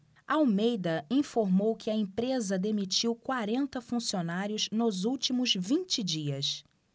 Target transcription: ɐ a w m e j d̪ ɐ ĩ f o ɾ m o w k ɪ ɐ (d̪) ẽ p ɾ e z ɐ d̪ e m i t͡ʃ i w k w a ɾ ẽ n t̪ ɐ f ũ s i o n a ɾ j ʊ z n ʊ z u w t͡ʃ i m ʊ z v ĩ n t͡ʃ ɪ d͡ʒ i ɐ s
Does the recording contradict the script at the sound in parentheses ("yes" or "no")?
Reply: yes